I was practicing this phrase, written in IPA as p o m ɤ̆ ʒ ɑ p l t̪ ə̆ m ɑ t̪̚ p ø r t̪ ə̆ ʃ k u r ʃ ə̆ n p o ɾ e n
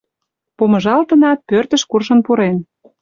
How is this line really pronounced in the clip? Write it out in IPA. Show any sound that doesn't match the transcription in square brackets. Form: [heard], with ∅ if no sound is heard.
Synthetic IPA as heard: p o m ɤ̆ ʒ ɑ [∅] l t̪ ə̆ [n] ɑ t̪̚ p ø r t̪ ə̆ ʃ k u r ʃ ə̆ n p [u] ɾ e n

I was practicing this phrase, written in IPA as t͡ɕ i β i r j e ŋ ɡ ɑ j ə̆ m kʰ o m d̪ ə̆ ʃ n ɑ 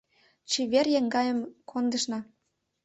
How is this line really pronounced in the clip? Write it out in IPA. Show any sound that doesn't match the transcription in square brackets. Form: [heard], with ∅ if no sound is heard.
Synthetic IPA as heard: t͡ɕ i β [e] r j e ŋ ɡ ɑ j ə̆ m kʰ o [n] d̪ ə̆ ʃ n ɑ

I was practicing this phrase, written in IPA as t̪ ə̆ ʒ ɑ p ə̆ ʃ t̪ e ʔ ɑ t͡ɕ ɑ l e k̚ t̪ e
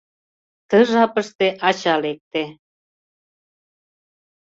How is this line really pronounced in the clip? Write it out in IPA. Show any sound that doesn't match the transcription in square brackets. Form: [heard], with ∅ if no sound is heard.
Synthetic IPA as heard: t̪ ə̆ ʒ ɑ p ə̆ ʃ t̪ e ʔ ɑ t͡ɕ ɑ l e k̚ t̪ e

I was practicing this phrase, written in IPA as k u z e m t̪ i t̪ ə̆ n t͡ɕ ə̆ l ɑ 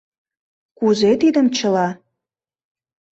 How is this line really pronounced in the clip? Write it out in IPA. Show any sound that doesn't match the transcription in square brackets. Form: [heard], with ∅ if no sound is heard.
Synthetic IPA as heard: k u z e [∅] t̪ i [d̪] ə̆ [m] t͡ɕ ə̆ l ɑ

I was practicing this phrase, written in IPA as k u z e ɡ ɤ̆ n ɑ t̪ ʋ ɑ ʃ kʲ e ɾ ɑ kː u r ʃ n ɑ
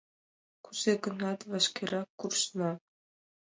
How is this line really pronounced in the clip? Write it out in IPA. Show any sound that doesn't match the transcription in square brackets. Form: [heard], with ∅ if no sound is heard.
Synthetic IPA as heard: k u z e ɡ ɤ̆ n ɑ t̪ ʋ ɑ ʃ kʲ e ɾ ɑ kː u r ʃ n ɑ

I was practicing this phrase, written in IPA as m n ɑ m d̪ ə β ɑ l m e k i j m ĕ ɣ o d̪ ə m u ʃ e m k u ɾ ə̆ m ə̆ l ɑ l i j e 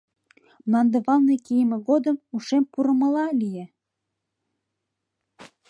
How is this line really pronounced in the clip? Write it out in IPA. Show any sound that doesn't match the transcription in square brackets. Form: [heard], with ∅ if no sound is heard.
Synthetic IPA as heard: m n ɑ [n] d̪ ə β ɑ l [n] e k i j m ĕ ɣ o d̪ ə m u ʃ e m [p] u ɾ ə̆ m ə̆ l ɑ l i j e

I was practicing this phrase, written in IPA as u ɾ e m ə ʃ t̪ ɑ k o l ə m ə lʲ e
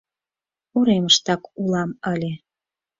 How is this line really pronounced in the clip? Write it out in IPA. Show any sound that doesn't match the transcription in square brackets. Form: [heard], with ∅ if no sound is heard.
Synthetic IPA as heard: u ɾ e m ə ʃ t̪ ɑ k [u] l [ɑ] m ə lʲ e

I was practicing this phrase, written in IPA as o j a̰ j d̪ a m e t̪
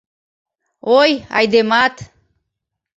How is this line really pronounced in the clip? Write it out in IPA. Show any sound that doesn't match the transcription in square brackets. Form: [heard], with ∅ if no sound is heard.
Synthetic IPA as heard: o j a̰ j d̪ [e] m [a] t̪

